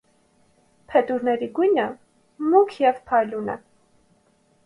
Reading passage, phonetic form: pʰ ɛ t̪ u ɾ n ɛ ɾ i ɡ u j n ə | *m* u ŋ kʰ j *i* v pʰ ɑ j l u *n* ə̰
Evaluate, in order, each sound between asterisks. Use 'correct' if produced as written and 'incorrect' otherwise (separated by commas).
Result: correct, incorrect, correct